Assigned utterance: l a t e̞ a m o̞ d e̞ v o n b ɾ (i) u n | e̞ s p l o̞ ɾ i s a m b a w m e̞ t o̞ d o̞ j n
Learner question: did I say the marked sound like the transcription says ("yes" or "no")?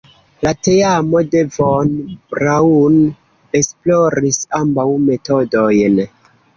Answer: no